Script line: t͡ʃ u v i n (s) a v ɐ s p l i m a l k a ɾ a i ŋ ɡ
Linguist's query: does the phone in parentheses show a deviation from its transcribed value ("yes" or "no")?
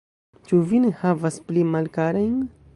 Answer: yes